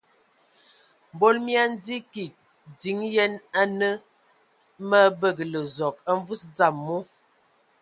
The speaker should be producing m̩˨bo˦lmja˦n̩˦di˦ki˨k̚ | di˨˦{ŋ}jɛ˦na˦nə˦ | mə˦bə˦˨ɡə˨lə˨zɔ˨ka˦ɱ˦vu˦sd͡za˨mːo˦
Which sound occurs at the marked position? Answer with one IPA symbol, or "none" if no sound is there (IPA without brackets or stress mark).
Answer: ŋ